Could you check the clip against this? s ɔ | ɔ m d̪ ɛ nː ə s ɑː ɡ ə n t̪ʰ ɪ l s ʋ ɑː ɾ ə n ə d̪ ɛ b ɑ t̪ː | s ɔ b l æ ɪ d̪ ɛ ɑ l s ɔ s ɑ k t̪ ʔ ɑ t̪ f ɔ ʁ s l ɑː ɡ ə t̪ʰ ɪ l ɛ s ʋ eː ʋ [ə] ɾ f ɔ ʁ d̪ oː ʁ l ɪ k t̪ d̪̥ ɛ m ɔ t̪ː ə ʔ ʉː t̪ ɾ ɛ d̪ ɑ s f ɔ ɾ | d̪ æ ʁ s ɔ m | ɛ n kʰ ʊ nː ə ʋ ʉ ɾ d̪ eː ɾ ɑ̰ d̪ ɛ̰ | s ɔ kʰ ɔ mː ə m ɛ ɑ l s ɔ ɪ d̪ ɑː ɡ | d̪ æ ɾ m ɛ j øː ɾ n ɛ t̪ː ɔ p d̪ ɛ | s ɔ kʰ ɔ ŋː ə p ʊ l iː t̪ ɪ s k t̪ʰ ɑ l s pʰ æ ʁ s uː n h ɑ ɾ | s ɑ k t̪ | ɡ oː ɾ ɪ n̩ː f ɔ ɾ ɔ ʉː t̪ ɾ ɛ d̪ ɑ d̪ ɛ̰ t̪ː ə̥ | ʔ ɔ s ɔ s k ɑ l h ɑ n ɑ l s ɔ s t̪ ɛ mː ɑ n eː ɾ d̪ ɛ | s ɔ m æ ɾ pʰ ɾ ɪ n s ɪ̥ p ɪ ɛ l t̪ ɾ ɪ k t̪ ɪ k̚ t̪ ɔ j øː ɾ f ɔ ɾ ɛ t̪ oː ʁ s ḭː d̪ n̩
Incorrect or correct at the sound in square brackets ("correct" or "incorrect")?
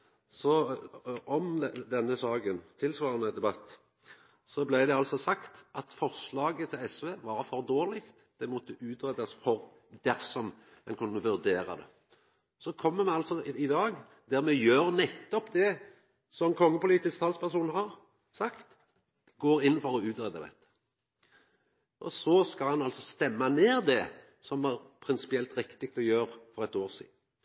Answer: incorrect